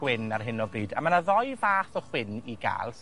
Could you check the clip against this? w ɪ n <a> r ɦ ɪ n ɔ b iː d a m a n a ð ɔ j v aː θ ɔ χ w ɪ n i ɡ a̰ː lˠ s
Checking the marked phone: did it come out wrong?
no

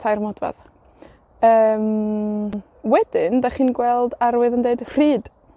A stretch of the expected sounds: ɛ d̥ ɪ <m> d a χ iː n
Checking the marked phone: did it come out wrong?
yes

